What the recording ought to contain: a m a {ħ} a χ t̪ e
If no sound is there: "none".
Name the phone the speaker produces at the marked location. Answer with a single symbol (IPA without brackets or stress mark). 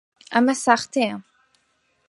s